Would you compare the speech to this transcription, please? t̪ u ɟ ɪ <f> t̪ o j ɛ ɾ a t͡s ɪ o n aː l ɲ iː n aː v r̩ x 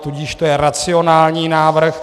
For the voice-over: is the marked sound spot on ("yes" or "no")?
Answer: no